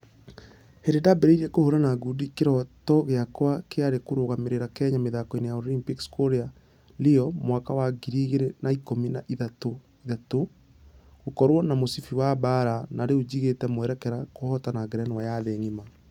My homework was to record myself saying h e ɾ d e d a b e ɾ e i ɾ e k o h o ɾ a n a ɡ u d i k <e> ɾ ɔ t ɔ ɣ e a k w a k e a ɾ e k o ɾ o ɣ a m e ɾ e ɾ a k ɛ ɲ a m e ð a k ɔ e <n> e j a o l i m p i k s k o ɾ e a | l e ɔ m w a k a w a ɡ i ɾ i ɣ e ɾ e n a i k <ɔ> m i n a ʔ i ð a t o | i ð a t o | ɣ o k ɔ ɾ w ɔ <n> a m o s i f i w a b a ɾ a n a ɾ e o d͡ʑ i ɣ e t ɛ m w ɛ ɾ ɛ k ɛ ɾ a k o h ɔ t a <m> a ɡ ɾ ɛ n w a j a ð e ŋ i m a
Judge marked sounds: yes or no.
yes, yes, no, yes, no

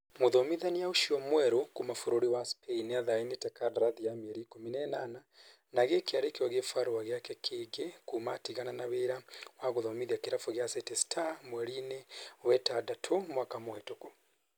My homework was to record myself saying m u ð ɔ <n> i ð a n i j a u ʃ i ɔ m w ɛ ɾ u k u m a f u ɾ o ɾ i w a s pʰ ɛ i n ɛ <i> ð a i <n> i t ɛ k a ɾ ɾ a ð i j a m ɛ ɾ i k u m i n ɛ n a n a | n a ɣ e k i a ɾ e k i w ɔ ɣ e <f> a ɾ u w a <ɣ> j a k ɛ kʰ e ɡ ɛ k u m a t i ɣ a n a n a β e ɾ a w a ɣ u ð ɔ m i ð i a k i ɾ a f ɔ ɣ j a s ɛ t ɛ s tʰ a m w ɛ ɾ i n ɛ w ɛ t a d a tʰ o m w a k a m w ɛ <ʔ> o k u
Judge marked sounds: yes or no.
no, no, yes, yes, yes, no

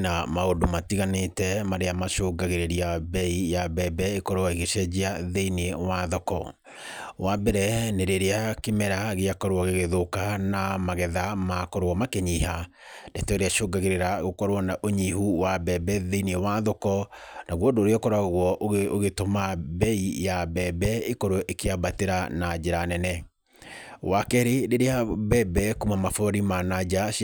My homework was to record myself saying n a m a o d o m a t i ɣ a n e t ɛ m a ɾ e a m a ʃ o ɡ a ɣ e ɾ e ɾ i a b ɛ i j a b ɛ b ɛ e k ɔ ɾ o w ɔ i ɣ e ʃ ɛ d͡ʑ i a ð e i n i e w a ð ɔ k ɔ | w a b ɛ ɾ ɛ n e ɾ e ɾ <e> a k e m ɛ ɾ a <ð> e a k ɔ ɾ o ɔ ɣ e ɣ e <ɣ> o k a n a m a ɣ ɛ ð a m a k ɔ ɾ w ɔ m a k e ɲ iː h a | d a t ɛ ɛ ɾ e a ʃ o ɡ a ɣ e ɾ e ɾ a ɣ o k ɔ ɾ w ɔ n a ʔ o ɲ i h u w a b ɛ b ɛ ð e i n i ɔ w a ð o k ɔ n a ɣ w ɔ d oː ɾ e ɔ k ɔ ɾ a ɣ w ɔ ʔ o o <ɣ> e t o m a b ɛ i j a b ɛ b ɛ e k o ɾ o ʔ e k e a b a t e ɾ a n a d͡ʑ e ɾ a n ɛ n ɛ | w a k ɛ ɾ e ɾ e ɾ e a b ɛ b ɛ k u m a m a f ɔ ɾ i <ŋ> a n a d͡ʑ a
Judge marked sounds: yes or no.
yes, no, no, yes, no

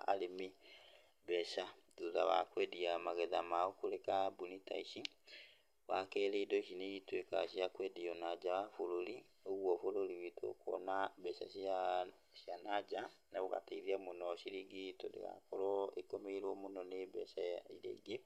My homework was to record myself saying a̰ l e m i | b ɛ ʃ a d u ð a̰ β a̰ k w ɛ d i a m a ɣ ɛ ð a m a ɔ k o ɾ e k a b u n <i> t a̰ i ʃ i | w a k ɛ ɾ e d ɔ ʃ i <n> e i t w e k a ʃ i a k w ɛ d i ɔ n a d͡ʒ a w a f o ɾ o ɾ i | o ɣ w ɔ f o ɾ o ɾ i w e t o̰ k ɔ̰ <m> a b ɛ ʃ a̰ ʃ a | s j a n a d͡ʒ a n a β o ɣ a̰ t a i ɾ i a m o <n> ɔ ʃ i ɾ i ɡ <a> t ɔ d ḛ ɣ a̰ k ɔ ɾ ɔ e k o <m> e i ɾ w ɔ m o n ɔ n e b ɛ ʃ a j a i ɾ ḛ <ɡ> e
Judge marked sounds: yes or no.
yes, yes, no, yes, no, yes, yes

